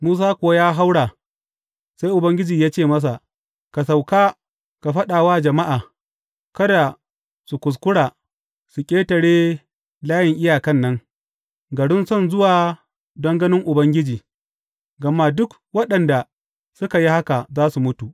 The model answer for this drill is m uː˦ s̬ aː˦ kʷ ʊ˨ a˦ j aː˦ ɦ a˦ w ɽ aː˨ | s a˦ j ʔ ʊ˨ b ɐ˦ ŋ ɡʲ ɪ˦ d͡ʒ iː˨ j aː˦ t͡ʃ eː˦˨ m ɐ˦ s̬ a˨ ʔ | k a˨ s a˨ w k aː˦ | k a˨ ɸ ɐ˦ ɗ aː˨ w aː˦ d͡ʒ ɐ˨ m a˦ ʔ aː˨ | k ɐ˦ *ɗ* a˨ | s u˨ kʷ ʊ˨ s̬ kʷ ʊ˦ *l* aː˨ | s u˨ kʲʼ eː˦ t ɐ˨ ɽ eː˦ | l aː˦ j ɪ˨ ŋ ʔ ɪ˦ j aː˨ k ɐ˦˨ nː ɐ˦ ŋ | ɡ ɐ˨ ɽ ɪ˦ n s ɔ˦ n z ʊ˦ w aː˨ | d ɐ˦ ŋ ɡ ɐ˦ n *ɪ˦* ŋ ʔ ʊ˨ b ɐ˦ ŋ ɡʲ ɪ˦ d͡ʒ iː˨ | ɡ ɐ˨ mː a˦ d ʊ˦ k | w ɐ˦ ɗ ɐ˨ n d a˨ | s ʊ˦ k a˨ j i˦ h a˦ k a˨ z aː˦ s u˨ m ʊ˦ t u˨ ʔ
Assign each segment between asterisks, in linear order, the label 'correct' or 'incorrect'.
incorrect: d, incorrect: ɽ, correct

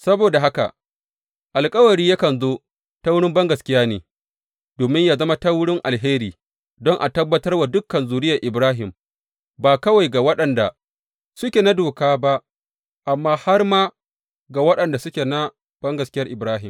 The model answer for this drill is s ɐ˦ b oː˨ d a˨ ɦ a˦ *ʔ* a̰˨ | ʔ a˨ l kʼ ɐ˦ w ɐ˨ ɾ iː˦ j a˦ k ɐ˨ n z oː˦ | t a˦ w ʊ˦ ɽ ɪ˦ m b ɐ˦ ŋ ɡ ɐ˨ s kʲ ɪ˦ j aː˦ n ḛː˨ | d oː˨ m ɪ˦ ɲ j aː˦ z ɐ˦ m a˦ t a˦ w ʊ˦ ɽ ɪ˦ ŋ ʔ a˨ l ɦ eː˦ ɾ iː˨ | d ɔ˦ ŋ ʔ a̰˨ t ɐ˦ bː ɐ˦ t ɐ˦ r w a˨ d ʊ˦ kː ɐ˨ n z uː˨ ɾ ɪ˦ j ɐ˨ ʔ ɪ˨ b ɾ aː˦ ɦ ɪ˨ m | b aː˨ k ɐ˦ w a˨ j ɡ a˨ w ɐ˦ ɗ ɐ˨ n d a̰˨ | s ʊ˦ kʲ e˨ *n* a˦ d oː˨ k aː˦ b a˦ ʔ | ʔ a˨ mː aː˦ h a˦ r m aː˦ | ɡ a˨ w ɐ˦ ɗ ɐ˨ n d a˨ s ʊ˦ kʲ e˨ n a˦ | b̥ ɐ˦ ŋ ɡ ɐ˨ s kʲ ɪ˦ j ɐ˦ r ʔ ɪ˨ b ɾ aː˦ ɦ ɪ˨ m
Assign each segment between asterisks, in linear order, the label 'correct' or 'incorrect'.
incorrect: k, correct

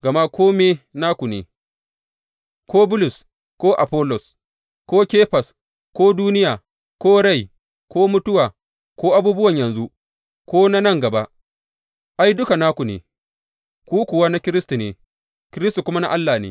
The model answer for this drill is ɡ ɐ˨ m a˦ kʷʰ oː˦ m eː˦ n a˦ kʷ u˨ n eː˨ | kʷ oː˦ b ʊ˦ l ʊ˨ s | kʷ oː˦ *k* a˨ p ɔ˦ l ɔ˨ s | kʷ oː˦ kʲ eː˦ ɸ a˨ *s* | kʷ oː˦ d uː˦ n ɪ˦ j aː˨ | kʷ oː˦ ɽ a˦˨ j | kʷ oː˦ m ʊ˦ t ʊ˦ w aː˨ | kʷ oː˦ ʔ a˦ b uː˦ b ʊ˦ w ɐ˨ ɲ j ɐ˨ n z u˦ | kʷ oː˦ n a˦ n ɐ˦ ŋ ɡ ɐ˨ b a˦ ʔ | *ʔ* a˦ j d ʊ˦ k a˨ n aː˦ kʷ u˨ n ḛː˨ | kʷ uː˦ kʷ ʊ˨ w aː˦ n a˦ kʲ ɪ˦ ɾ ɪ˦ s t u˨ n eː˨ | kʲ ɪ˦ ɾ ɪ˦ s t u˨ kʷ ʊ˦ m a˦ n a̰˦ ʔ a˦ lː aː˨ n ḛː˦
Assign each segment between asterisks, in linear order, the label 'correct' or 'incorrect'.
incorrect: ʔ, correct, correct

